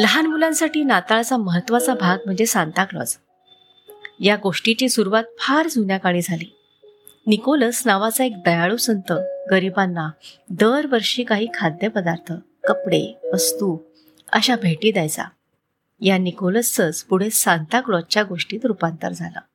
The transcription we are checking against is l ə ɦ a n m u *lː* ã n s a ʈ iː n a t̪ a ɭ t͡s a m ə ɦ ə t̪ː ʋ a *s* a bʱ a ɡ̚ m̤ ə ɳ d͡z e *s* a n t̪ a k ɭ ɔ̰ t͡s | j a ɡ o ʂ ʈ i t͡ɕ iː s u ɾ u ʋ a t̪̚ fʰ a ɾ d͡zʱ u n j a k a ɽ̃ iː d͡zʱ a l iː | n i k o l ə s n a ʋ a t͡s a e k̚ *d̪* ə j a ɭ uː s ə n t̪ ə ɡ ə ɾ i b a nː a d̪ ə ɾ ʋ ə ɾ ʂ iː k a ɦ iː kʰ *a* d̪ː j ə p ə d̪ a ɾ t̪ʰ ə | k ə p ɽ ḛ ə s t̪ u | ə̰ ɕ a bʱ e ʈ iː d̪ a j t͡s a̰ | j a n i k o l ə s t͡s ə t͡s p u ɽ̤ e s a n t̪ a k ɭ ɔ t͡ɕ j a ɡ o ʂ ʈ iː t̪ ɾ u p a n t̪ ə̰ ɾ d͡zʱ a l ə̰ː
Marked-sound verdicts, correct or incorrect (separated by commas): incorrect, incorrect, correct, correct, correct